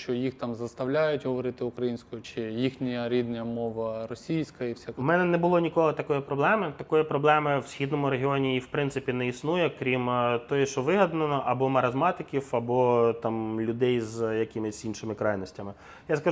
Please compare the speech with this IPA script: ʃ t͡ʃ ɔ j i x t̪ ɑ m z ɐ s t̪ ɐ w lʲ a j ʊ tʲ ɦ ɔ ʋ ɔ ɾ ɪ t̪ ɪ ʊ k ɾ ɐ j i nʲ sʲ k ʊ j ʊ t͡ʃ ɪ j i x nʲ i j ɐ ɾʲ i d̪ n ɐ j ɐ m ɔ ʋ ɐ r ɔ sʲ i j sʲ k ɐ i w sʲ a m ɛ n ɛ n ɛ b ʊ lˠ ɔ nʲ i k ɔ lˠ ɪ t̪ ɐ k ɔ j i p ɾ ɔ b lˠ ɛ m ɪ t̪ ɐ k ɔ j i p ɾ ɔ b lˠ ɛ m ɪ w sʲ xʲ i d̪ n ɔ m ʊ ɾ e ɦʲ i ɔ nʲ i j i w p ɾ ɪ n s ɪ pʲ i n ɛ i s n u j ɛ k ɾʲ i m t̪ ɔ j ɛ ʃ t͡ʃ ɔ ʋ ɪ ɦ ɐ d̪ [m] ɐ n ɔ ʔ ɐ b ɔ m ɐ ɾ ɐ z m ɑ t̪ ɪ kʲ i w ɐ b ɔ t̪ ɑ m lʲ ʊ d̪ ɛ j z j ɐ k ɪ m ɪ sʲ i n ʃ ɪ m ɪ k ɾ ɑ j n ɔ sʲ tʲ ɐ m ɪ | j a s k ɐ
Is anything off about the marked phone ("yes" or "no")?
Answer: yes